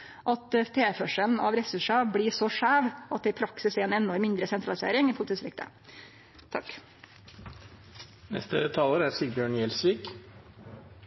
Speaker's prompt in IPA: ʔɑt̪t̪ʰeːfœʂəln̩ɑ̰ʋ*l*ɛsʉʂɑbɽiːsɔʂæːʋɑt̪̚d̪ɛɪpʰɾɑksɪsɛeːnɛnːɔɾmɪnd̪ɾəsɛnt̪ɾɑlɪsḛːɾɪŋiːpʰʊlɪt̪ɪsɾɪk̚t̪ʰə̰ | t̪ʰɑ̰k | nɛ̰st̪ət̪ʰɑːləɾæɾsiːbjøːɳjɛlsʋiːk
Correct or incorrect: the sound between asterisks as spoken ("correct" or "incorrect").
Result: incorrect